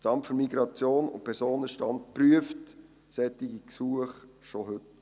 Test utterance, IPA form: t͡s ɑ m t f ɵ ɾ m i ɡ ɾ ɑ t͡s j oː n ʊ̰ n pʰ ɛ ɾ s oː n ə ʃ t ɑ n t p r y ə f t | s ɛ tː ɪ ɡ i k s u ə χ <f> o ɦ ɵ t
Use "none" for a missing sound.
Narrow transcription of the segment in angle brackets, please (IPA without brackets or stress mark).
ʃ